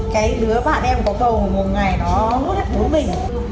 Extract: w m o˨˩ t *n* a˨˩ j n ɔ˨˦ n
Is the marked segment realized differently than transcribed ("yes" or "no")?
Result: yes